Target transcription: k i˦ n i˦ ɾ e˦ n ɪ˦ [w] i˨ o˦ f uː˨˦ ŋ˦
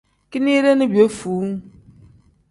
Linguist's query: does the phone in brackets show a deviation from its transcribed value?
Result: yes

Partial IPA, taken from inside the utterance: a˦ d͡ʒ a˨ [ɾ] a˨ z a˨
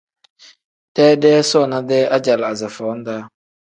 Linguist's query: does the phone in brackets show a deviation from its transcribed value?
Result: yes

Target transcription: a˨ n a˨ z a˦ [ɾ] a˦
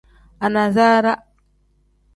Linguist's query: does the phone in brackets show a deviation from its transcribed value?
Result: no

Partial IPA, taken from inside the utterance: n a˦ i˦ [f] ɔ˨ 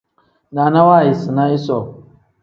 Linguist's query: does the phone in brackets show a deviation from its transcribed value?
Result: yes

